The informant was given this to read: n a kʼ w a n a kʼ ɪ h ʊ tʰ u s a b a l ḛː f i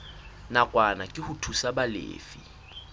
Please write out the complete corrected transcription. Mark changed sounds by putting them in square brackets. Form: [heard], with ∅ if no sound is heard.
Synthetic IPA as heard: n a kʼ w a n a kʼ ɪ h ʊ tʰ u s a b a l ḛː f i